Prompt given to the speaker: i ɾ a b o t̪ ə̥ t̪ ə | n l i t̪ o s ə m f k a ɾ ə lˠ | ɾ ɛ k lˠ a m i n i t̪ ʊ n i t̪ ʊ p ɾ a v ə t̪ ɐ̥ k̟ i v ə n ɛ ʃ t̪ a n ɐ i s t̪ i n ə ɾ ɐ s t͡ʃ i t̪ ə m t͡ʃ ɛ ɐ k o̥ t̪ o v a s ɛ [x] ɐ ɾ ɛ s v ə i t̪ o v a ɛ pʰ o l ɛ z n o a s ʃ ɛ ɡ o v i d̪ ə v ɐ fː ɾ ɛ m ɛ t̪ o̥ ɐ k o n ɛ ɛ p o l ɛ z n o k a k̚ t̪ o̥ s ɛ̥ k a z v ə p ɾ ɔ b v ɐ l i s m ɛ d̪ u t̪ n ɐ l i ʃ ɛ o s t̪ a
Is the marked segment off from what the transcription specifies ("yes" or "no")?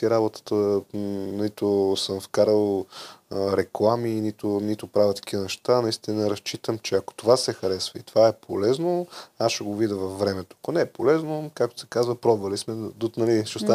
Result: no